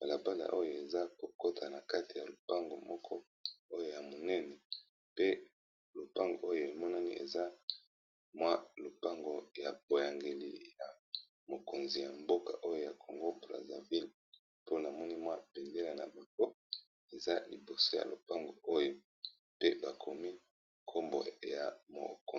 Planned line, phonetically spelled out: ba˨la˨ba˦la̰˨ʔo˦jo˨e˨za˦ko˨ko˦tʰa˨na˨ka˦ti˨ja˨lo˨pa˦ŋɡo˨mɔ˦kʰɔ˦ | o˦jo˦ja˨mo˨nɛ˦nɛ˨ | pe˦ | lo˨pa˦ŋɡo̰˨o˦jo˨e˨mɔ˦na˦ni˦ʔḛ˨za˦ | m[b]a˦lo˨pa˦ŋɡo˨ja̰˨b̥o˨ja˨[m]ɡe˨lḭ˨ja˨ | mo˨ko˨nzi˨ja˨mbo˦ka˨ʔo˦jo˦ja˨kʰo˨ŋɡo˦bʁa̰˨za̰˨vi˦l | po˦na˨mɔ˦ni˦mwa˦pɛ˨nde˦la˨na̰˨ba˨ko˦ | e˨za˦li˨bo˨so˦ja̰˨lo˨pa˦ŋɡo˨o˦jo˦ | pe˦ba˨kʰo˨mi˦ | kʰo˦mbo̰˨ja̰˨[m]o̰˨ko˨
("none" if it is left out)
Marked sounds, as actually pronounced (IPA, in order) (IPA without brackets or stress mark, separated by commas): w, ŋ, m